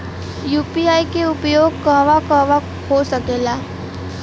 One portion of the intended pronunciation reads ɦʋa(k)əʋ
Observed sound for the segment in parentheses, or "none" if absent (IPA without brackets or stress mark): k